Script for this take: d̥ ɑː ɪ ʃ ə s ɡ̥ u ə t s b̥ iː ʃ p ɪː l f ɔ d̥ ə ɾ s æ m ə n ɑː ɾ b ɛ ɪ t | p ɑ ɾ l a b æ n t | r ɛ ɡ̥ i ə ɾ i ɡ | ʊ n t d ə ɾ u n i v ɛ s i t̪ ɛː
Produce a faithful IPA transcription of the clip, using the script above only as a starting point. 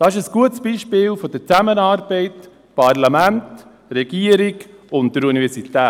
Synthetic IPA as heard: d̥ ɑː ɪ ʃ ə s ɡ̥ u ə t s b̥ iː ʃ p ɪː l f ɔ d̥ ə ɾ t͡s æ m ə n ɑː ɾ b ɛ ɪ t | p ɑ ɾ l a m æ n t | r ɛ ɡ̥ i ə ɾ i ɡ | ʊ n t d ə ɾ u n i v ɛ s i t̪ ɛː

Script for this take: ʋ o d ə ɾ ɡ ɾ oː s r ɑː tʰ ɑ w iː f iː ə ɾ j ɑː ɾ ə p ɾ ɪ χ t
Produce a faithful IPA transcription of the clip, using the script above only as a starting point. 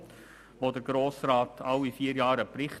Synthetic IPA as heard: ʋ o d ə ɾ ɡ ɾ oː s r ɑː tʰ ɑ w i f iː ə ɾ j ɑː ɾ ə p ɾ ɪ χ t

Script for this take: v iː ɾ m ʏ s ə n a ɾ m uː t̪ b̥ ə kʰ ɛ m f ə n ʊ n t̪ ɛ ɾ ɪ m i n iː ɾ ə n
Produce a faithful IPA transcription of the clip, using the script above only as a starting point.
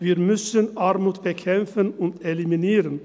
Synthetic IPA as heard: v iː ɾ m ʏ s ə n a ɾ m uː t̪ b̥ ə kʰ ɛ m f ə n ʊ n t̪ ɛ l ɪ m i n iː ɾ ə n

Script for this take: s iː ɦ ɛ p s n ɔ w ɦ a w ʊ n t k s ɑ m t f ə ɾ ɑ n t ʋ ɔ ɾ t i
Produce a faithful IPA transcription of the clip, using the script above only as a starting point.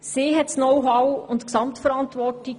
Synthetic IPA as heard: s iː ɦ ɛ t s n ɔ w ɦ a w ʊ n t k s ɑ m t f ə ɾ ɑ n t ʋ ɔ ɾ t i

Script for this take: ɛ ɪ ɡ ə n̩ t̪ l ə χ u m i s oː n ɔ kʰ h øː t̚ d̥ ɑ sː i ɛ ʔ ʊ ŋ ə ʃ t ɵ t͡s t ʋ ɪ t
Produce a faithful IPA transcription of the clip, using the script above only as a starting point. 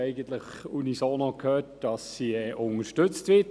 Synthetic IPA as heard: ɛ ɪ ɡ ə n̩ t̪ l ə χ u n i s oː n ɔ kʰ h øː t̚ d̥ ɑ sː i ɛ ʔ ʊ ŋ ə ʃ t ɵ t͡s t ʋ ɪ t

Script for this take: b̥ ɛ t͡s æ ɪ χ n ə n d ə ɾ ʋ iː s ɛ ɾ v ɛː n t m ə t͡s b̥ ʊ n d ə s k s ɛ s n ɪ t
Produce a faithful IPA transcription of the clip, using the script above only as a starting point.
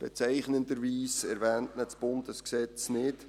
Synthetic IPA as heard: b̥ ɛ t͡s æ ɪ χ n ə n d ə ɾ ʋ iː s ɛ ɾ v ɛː n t n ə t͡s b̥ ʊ n d ə s k s ɛ t͡s n ɪ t

